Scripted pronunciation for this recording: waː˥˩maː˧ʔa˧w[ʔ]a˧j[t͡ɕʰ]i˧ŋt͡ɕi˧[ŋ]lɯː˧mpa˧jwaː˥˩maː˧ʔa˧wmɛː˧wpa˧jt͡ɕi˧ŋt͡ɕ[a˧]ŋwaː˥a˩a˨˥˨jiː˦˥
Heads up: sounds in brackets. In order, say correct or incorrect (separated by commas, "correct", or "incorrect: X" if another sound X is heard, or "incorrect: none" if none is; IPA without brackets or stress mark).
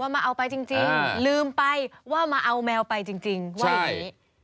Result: incorrect: p, incorrect: t͡ɕ, correct, incorrect: i˧